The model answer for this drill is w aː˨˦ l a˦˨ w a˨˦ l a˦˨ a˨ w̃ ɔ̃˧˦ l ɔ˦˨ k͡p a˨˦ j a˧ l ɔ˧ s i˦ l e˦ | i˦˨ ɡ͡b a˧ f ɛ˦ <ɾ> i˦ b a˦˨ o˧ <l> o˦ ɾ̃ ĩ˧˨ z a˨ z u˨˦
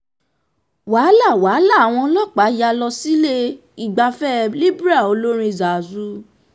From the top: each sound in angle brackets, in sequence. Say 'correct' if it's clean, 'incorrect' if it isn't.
incorrect, correct

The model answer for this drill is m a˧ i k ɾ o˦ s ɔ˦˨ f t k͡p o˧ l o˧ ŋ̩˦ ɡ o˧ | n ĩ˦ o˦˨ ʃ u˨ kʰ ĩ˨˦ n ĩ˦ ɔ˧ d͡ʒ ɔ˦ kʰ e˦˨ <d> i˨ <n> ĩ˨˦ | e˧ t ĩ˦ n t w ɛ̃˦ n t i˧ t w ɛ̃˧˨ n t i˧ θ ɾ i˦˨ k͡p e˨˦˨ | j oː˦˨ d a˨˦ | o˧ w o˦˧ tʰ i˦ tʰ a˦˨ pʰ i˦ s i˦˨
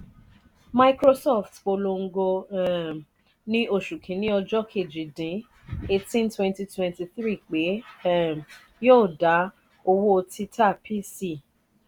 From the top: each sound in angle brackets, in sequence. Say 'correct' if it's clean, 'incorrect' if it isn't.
incorrect, incorrect

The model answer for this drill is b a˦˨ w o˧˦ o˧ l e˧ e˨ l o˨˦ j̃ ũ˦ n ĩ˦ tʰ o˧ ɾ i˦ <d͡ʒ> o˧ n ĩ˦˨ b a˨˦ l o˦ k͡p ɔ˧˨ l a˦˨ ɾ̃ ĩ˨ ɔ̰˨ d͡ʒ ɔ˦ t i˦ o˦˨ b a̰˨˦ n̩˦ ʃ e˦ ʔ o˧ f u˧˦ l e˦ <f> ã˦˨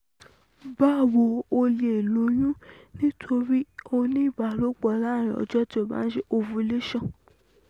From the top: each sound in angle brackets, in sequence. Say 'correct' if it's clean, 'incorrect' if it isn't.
incorrect, incorrect

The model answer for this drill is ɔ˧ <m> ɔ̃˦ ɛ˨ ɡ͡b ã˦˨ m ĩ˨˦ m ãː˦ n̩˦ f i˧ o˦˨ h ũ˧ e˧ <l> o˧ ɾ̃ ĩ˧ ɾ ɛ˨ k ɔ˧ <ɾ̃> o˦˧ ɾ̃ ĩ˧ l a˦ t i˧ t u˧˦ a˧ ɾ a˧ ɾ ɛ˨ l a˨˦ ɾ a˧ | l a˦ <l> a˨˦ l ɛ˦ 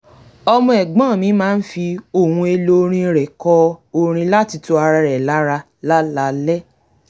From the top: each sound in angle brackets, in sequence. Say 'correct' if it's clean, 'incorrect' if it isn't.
correct, correct, incorrect, correct

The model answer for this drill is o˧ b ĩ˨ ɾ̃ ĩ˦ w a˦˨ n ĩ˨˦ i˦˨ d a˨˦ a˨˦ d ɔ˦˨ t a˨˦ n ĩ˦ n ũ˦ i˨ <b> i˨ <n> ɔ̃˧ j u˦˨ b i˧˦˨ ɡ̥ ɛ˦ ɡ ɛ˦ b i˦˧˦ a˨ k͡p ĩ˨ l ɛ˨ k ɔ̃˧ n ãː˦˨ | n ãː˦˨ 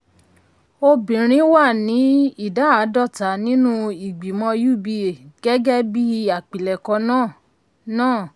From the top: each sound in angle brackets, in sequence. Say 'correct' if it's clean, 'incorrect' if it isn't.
incorrect, incorrect

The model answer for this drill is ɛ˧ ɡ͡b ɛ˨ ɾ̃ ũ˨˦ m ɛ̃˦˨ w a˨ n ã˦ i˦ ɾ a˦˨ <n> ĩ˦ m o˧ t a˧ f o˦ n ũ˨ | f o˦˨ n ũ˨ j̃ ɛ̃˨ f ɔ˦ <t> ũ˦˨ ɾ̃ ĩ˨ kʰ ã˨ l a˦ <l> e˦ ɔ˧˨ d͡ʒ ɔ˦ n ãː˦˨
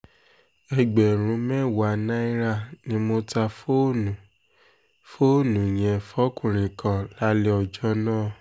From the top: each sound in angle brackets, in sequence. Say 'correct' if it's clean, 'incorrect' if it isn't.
correct, incorrect, correct

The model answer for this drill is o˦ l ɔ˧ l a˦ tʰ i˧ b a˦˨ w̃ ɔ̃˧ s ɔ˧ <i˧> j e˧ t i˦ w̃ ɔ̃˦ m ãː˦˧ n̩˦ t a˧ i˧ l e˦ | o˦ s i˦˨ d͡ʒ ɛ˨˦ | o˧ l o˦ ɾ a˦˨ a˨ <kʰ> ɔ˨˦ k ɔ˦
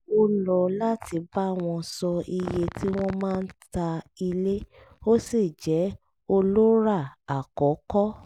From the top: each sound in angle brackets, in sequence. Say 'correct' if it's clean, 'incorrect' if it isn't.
correct, incorrect

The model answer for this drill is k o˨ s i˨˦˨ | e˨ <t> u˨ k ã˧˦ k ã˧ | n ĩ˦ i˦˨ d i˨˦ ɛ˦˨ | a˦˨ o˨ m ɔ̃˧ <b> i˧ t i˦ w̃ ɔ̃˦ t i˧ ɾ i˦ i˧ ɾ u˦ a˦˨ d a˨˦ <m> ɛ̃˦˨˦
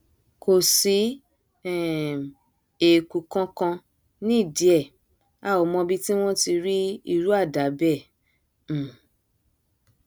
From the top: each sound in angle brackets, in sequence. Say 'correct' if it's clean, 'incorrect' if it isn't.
incorrect, correct, incorrect

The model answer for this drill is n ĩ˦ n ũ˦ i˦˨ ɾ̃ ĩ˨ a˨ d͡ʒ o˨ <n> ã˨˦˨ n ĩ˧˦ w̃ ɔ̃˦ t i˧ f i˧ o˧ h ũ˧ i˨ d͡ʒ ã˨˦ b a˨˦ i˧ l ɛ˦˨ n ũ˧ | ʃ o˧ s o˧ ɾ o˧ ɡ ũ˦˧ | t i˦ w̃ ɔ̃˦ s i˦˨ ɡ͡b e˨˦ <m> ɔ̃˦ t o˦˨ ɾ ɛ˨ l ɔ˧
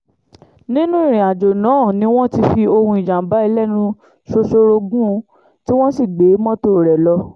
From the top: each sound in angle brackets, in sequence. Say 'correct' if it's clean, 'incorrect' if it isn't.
correct, correct

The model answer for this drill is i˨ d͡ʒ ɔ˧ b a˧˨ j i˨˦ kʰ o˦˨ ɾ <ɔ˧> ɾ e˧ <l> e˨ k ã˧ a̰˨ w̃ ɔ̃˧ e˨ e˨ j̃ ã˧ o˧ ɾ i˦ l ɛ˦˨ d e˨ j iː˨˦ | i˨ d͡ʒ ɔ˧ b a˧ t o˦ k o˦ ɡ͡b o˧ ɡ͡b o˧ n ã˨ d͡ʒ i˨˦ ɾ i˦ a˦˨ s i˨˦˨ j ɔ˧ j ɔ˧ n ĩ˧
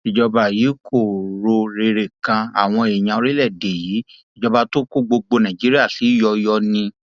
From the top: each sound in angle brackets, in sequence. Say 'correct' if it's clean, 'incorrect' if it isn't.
incorrect, incorrect

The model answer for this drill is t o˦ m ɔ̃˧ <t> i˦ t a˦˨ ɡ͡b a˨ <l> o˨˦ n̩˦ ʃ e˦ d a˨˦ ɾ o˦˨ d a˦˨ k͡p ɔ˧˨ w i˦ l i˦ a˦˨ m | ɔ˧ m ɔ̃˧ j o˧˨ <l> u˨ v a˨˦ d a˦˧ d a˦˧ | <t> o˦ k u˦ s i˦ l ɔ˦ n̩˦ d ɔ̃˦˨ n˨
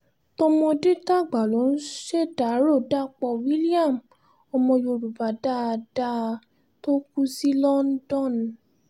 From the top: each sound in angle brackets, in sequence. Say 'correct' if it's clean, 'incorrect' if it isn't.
incorrect, correct, incorrect, correct

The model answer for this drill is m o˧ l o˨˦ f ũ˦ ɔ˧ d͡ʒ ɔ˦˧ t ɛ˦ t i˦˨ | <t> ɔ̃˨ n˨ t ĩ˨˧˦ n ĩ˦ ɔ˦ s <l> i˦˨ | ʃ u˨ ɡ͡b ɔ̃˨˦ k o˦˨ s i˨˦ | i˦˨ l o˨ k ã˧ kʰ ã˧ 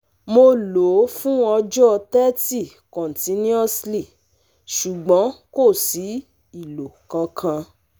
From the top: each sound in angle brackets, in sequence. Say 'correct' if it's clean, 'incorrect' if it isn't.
incorrect, correct

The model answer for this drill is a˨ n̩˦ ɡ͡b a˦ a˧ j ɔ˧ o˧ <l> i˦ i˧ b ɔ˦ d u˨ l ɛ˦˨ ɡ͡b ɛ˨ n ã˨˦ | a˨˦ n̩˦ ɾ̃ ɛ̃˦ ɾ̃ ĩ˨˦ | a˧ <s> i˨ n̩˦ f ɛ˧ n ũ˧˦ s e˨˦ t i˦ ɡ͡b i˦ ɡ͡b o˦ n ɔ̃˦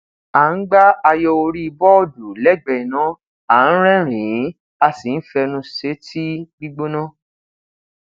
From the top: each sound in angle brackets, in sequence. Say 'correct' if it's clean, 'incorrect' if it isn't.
incorrect, correct

